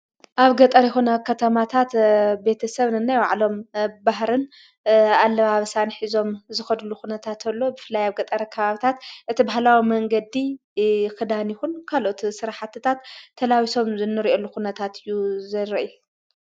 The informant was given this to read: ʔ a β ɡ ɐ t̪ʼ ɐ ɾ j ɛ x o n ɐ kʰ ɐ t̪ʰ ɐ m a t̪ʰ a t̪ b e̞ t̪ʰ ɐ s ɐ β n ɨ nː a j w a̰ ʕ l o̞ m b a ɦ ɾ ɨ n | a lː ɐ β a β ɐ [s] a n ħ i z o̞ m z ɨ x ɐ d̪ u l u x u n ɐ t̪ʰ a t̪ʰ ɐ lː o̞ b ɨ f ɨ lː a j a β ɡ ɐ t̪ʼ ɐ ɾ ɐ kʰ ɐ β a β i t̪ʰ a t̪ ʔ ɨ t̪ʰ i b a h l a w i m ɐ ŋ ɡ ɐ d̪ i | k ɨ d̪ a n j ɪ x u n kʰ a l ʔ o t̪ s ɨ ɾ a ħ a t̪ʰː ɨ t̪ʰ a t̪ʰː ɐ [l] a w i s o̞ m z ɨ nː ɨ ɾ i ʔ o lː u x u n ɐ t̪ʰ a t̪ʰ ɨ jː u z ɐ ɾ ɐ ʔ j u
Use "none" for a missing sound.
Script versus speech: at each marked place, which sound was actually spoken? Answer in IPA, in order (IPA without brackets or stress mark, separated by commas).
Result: s, l